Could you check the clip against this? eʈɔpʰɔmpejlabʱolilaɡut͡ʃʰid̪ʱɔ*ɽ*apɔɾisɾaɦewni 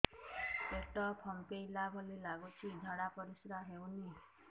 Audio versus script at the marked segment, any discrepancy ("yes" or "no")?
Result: no